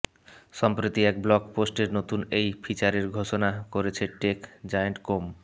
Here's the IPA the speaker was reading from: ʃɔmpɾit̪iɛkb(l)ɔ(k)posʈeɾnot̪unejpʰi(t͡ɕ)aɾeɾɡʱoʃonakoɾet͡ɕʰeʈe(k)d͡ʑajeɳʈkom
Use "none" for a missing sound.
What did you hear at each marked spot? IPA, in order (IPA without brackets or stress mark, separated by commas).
l, k, t͡ɕ, k